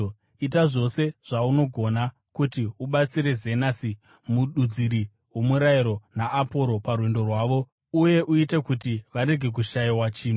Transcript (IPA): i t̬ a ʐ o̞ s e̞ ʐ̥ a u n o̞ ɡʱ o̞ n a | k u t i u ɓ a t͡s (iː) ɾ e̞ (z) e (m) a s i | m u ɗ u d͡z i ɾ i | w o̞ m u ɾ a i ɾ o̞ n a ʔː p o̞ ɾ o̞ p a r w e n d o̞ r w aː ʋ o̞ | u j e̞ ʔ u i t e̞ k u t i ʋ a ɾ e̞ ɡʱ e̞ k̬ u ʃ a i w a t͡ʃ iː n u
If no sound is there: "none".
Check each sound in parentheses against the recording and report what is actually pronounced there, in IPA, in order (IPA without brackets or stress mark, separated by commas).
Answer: i, z, n